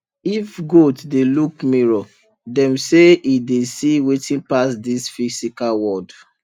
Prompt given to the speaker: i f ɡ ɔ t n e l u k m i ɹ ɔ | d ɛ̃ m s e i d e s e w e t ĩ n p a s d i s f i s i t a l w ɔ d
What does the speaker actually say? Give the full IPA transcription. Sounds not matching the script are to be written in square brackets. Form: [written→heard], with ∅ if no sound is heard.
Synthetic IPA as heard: i f ɡ [ɔ→o] t [n→d] e l u k m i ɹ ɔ | d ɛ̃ m s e i d e s [e→i] w e t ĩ n p a s d i s f i s i [t→k] a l w ɔ d